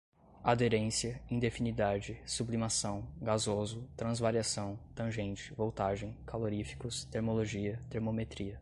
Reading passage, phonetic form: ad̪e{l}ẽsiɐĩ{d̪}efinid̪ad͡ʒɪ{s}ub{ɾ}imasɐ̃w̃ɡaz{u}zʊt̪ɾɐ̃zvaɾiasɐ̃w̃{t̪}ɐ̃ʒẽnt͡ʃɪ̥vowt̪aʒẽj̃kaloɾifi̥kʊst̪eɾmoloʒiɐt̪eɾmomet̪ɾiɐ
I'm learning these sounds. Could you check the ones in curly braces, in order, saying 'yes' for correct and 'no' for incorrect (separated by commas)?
no, yes, yes, no, no, yes